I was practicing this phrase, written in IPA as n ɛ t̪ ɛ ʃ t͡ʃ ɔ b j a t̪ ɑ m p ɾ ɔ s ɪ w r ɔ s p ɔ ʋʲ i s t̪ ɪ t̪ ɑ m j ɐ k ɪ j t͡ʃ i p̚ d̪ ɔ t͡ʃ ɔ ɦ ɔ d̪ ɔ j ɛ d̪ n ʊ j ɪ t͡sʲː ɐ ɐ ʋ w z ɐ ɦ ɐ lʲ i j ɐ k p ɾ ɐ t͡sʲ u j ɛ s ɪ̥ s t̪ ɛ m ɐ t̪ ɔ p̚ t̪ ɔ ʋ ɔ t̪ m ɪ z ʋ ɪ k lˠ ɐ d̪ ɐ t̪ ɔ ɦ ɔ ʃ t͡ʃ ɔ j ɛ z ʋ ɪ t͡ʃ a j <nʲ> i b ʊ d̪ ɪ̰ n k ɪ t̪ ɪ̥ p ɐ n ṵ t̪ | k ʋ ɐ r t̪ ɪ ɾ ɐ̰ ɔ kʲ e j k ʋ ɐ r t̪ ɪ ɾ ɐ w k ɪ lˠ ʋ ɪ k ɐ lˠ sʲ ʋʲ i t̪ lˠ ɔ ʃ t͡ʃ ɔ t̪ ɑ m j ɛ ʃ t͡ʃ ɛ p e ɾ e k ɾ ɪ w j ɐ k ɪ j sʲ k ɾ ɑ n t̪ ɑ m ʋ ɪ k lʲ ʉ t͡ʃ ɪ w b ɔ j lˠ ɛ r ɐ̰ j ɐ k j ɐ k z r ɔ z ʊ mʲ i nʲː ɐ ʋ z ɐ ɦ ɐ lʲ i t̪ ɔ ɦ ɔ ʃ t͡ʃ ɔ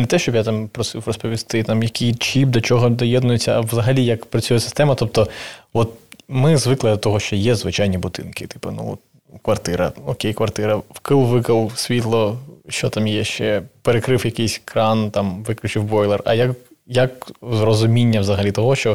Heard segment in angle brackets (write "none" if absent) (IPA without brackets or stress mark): nʲ